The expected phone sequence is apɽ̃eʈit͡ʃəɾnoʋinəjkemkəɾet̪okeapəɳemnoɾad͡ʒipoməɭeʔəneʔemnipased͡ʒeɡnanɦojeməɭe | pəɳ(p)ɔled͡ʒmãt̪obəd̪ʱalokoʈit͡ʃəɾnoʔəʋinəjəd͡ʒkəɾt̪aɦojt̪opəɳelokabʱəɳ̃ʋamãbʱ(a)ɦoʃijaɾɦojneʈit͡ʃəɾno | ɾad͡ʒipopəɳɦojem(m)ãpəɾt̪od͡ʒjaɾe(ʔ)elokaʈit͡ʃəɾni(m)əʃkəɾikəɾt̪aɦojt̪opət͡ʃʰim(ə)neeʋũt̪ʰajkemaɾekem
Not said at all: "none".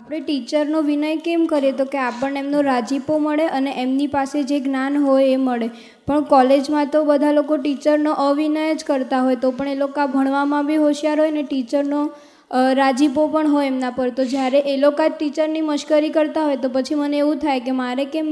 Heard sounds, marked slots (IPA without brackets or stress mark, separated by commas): k, i, n, ʔ, m, ə